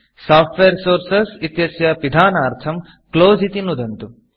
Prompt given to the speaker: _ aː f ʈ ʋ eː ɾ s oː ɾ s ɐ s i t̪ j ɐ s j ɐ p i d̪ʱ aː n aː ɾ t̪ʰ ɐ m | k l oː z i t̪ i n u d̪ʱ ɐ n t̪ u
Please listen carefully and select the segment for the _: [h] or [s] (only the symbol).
s